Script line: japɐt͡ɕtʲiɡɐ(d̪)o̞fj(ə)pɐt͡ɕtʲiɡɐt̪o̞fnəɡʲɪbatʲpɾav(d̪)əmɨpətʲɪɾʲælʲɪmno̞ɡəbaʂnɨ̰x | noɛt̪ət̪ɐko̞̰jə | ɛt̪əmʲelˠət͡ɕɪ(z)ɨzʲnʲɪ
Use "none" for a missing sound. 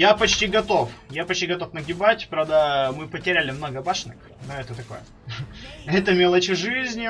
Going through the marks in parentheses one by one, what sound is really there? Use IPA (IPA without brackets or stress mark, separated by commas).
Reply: t̪, a, d̪, ʐ